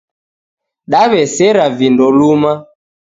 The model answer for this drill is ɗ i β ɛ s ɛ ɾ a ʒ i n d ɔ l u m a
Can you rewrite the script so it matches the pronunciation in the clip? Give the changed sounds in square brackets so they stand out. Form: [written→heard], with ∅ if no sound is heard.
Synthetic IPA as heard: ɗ [i→a] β ɛ s ɛ ɾ a [ʒ→v] i n d ɔ l u m a

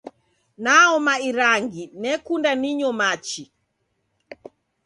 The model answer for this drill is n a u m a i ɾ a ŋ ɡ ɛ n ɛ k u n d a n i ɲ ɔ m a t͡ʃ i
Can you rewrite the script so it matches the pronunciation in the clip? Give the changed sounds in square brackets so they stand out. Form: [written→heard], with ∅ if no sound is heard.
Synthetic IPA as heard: n a [u→ɔ] m a i ɾ a ŋ ɡ [ɛ→i] n ɛ k u n d a n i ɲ ɔ m a t͡ʃ i

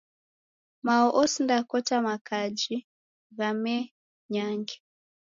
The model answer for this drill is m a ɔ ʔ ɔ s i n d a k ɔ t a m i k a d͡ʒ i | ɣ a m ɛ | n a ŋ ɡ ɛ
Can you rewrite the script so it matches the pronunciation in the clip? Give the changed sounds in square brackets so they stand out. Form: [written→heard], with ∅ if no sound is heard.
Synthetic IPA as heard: m a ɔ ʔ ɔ s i n d a k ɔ t a m [i→a] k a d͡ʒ i | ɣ a m ɛ | [n→ɲ] a ŋ ɡ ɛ

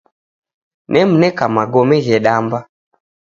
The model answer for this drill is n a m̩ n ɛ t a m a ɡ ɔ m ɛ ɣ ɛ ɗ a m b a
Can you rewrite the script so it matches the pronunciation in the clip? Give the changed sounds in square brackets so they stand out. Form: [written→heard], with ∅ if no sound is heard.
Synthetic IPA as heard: n [a→ɛ] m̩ n ɛ [t→k] a m a ɡ ɔ m ɛ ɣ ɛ ɗ a m b a

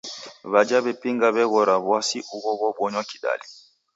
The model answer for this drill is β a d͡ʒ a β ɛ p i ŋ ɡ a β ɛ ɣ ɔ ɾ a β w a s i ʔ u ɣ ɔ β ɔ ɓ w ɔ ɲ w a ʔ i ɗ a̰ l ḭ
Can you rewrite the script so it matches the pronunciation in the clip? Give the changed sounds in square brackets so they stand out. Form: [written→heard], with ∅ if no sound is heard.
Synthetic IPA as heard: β a d͡ʒ a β ɛ p i ŋ ɡ a β ɛ ɣ ɔ ɾ a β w a s i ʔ u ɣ ɔ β ɔ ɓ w ɔ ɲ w a [ʔ→k] i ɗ a̰ l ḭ

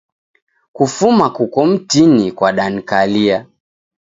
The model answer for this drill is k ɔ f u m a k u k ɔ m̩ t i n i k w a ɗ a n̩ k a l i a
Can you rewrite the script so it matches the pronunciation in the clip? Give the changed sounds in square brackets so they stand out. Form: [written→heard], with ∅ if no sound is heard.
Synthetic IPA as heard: k [ɔ→u] f u m a k u k ɔ m̩ t i n i k w a ɗ a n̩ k a l i a

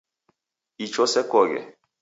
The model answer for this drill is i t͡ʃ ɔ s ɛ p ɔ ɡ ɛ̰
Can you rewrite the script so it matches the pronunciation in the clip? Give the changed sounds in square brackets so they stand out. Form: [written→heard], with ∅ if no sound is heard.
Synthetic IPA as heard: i t͡ʃ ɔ s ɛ [p→k] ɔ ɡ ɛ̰

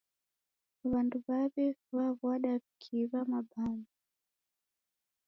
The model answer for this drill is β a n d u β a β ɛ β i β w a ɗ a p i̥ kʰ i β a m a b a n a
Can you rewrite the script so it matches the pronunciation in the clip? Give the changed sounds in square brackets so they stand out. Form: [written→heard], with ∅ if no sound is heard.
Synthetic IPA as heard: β a n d u β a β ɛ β [i→a] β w a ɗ a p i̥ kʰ i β a m a b a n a

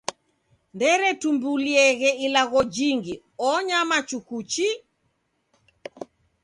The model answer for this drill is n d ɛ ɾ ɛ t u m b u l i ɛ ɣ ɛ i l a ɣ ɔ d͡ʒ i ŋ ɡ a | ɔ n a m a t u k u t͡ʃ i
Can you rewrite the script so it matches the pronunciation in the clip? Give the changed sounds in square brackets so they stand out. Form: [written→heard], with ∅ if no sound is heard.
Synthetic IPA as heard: n d ɛ ɾ ɛ t u m b u l i ɛ ɣ ɛ i l a ɣ ɔ d͡ʒ i ŋ ɡ [a→i] | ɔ [n→ɲ] a m a [t→t͡ʃ] u k u t͡ʃ i

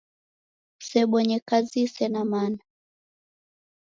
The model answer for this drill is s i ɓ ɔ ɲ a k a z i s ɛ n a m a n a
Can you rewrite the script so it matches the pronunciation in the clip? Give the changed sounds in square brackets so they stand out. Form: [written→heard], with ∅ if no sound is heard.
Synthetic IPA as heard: s [i→ɛ] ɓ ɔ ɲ [a→ɛ] k a z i s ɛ n a m a n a

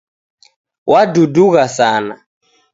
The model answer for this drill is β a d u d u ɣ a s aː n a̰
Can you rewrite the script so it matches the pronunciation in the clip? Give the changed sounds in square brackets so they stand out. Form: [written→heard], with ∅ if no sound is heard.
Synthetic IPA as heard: [β→w] a d u d u ɣ a s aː n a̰

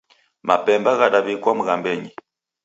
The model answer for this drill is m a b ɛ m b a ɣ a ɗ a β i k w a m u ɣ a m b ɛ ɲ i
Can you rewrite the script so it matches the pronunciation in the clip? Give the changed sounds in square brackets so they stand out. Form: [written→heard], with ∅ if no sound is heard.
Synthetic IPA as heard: m a [b→p] ɛ m b a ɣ a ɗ a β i k w a m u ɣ a m b ɛ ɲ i

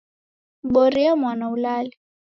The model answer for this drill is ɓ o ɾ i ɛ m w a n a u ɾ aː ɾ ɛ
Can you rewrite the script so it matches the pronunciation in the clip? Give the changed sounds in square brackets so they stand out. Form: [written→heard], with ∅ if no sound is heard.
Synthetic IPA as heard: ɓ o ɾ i [ɛ→a] m w a n a u [ɾ→l] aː [ɾ→l] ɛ

